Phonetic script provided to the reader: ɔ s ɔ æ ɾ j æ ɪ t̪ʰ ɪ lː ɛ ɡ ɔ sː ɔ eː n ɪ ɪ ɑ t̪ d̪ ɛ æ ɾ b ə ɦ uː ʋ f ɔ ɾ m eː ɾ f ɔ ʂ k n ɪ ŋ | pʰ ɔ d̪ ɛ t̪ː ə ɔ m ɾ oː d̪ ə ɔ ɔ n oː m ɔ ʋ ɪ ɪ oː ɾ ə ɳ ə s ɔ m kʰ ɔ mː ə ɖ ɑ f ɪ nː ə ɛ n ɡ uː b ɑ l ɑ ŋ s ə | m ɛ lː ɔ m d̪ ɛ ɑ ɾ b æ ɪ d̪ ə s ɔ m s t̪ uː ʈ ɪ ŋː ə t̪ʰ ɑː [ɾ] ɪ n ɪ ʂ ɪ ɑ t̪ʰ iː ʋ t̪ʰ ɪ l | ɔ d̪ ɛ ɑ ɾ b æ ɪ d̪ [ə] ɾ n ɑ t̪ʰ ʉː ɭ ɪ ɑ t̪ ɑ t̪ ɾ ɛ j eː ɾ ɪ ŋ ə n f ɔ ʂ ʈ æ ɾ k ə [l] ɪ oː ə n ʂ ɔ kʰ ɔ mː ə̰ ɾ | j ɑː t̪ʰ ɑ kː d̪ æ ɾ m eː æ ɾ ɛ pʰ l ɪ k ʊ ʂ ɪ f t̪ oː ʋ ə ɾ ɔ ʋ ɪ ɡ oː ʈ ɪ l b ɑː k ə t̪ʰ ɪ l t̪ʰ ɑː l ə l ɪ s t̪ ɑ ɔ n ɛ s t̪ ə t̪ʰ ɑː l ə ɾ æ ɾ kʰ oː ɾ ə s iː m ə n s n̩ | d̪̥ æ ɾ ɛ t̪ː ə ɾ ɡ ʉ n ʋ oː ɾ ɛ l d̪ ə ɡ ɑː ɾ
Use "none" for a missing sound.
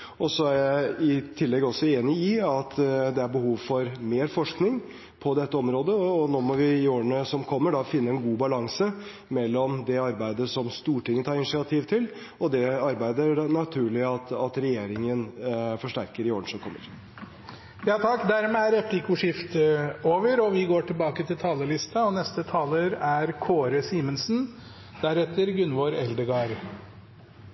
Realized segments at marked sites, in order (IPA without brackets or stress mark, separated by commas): ɾ, ə, ɾ